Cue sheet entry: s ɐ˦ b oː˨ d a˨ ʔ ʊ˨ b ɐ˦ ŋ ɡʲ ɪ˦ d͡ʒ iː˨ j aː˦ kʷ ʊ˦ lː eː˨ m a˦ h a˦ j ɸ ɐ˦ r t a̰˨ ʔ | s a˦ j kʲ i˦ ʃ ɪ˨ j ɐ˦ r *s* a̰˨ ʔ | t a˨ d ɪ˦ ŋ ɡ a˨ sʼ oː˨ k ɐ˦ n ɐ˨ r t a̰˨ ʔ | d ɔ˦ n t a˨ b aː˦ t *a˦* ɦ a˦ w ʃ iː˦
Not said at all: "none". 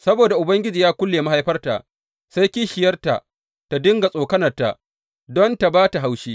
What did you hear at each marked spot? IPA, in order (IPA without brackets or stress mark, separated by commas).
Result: t, a˨